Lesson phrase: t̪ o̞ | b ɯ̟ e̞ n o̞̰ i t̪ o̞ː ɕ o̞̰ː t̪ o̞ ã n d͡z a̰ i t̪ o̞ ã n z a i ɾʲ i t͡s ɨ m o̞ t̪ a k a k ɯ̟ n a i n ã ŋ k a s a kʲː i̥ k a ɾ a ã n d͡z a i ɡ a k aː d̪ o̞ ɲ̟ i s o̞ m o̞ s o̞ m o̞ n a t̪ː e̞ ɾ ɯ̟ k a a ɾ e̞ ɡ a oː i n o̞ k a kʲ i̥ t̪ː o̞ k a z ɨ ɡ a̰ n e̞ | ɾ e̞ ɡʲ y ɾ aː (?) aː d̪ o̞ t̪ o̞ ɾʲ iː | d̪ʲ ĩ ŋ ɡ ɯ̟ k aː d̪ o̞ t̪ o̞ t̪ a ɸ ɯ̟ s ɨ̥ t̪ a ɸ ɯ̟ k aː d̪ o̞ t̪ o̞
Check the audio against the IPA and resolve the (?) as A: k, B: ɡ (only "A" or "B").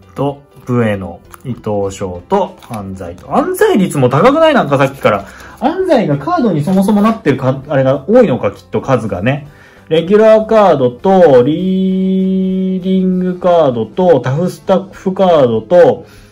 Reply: A